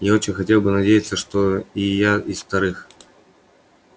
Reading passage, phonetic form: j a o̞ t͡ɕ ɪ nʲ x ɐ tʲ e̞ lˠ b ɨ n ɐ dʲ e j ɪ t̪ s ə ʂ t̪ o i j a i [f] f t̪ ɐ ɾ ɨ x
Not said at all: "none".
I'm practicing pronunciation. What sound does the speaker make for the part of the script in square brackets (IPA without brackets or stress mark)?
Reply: s